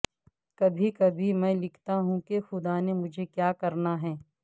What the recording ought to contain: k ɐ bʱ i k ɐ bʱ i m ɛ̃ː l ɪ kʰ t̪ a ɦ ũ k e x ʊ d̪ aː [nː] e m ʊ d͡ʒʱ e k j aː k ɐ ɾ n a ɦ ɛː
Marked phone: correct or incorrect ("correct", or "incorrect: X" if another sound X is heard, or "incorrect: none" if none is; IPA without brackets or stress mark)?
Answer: incorrect: n